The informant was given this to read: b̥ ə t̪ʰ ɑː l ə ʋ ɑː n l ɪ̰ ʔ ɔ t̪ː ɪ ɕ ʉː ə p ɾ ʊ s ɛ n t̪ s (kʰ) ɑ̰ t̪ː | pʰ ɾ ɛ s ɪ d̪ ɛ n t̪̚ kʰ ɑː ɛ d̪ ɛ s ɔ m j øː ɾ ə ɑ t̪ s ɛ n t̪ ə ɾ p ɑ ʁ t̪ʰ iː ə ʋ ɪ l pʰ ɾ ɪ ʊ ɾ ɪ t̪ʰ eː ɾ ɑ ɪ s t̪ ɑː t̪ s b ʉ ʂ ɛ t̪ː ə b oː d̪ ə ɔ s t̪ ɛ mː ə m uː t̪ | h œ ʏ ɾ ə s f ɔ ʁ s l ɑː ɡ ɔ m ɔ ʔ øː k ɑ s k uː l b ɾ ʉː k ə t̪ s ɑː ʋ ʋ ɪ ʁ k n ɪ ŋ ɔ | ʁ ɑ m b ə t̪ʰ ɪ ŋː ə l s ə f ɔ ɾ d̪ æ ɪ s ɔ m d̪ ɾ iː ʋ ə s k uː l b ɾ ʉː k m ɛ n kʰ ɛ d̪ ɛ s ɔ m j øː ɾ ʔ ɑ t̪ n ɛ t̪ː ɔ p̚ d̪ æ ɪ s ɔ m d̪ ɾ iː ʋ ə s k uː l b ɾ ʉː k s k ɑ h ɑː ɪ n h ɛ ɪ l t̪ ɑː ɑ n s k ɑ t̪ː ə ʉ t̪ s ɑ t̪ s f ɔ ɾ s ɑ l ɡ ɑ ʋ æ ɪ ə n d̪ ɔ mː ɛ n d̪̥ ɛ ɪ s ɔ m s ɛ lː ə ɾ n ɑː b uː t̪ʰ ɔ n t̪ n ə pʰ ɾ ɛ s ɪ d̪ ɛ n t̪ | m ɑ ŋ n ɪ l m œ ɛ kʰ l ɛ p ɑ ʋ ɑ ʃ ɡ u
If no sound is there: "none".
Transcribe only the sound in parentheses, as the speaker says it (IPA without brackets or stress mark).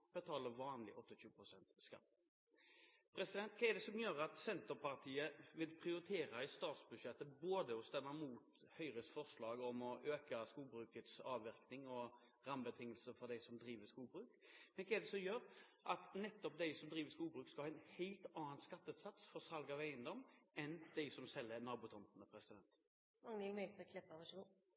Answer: k